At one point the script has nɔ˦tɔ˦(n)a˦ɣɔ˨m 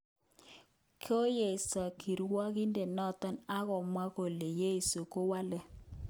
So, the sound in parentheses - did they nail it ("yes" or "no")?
yes